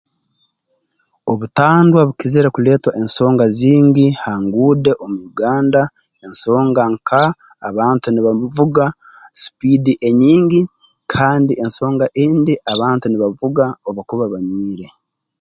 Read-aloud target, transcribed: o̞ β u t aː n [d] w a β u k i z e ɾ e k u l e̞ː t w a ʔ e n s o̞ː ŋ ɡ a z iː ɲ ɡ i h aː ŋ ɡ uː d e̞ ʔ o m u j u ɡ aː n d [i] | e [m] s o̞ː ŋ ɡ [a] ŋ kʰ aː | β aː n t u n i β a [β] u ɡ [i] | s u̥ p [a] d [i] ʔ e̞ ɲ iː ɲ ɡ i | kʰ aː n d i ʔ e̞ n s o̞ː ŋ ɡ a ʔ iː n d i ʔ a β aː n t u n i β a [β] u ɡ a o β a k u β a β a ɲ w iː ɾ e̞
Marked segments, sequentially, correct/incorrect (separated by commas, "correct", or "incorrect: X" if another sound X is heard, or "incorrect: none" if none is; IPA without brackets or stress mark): correct, incorrect: a, incorrect: n, correct, incorrect: v, incorrect: a, incorrect: i, correct, incorrect: v